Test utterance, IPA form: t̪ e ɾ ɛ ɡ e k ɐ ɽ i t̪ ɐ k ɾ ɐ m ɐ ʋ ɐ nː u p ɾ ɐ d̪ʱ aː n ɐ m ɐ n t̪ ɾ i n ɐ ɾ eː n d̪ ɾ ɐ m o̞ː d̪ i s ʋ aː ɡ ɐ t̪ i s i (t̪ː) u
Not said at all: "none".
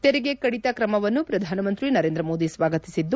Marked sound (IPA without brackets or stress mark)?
d̪ː